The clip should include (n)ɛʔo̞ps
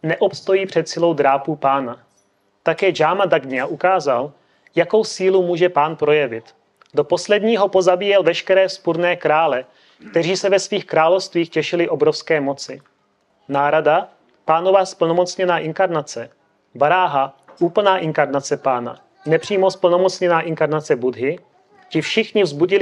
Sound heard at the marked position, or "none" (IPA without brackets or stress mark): n